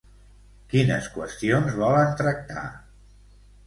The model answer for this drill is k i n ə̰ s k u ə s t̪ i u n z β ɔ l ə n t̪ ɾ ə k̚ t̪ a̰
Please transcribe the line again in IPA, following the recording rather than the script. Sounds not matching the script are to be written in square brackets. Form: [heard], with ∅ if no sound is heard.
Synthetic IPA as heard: k i n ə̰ s k [w] ə s t̪ i [o] n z β ɔ l ə n t̪ ɾ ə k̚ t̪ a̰